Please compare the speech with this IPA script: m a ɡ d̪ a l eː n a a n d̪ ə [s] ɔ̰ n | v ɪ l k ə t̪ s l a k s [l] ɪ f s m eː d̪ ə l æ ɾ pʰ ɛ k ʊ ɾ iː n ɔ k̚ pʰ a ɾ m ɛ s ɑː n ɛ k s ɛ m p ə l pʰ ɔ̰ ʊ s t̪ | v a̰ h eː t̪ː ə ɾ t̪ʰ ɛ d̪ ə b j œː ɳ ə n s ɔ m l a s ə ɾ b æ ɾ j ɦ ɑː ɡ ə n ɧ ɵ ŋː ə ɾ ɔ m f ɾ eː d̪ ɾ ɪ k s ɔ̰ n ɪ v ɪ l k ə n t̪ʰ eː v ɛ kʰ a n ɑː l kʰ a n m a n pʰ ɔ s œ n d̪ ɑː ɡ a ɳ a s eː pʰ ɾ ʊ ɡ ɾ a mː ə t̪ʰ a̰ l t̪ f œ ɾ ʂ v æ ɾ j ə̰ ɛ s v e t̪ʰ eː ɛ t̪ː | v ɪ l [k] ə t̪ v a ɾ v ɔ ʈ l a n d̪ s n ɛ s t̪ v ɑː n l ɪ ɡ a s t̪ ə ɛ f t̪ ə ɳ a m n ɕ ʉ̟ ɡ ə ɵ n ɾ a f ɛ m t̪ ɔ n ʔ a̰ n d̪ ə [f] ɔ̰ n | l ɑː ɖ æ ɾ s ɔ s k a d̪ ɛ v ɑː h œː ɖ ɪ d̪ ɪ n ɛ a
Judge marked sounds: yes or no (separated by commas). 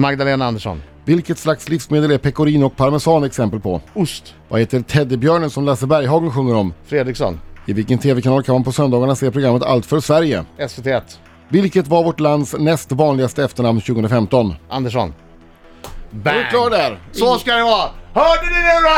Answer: no, yes, yes, no